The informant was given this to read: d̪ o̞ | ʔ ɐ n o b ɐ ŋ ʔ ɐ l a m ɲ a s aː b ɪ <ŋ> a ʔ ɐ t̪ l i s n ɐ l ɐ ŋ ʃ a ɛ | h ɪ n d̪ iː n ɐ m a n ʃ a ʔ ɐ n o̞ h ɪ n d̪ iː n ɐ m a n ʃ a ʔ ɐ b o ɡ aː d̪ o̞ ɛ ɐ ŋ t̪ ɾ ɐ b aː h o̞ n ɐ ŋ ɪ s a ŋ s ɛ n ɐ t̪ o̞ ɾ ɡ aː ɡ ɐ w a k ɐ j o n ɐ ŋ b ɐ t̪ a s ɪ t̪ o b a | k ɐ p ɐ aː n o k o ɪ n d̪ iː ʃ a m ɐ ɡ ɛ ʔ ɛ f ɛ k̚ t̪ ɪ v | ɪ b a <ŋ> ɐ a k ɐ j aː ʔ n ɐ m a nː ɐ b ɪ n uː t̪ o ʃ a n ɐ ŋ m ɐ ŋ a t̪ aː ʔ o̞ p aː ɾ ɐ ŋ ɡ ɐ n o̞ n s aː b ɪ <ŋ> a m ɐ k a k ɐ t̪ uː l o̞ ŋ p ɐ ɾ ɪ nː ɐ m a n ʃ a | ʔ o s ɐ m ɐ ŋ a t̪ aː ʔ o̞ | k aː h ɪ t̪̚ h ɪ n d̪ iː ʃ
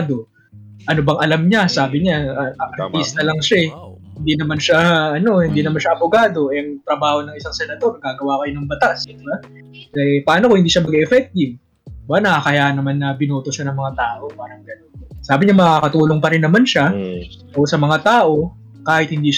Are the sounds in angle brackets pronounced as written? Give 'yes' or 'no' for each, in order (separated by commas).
no, no, no